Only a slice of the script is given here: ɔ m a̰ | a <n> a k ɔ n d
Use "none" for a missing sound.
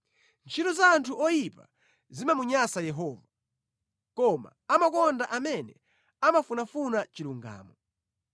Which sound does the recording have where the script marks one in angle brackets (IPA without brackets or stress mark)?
m